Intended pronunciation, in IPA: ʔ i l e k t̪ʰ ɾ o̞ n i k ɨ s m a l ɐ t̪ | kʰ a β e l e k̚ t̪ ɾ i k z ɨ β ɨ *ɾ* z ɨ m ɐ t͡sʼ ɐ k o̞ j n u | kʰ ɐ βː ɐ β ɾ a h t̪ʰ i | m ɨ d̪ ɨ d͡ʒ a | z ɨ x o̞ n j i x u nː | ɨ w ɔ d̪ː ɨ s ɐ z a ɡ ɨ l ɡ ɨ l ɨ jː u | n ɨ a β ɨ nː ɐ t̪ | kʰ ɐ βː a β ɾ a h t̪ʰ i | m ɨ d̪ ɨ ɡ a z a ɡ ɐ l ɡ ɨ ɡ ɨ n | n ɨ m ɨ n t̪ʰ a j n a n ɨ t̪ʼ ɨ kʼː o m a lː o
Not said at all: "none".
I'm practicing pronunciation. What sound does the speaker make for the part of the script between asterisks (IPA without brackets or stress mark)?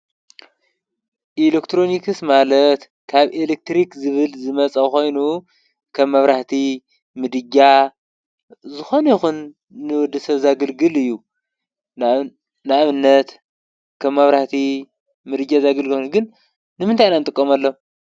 l